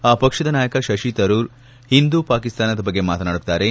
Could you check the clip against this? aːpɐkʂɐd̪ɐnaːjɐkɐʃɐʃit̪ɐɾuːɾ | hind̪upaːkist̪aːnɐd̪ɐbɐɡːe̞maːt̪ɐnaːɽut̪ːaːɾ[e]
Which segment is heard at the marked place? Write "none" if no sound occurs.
e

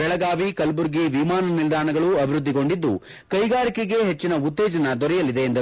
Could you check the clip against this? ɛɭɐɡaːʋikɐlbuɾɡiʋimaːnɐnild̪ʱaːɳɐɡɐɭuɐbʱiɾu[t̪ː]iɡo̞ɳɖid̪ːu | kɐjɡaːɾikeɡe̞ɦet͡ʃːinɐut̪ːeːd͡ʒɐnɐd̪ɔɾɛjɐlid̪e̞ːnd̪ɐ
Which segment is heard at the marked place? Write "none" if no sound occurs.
d̪ː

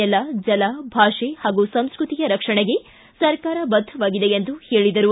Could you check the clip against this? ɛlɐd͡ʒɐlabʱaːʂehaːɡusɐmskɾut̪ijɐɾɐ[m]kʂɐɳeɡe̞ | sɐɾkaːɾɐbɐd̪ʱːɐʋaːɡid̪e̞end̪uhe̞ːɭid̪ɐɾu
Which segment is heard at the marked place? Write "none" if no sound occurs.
none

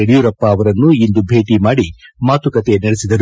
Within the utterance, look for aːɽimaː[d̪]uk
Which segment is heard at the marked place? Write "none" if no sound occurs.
t̪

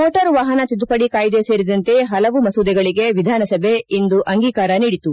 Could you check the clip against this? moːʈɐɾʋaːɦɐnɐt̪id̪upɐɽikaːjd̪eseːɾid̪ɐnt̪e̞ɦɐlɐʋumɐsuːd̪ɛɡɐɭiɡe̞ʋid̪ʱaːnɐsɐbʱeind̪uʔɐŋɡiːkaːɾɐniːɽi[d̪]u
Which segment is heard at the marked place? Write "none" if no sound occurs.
t̪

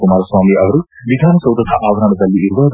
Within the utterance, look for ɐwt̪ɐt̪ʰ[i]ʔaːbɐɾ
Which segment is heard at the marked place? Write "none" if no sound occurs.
a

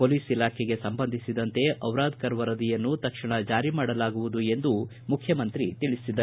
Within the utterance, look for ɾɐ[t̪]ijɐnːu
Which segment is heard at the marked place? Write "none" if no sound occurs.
d̪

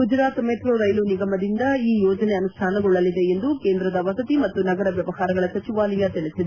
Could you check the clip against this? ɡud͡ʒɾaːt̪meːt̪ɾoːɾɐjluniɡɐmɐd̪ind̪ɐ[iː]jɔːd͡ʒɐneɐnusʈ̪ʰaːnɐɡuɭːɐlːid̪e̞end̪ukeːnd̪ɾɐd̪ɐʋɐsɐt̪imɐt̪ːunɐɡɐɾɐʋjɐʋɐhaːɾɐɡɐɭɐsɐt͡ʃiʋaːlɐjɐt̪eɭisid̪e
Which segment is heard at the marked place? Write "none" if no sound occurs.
iː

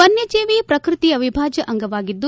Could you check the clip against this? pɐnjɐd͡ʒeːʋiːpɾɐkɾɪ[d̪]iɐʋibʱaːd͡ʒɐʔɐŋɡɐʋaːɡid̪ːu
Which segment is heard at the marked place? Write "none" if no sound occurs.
t̪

